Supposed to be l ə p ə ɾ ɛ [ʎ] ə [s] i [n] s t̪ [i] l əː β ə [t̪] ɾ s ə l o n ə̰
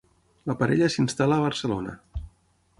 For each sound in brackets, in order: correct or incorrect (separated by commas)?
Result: correct, correct, correct, incorrect, incorrect